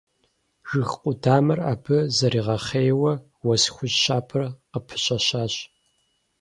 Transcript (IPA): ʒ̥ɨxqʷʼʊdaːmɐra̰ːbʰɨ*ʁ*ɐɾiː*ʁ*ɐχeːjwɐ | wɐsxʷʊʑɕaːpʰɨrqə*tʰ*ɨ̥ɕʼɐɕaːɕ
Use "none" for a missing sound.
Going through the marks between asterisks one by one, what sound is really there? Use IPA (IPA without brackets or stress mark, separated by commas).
z, ʁ, pʰ